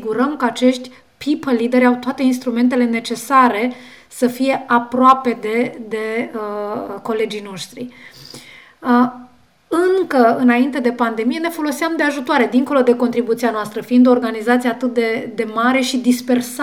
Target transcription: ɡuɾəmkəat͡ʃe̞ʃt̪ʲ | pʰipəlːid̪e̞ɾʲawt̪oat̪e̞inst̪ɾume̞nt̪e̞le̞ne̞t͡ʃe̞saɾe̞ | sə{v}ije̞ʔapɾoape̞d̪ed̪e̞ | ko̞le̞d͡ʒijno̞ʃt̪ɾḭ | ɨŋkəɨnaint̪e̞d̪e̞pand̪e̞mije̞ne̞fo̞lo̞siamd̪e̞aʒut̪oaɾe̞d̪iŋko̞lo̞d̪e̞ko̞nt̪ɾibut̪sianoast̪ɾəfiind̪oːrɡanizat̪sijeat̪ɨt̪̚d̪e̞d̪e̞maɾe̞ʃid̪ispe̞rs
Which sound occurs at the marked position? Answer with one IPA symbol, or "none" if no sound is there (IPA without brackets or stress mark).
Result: f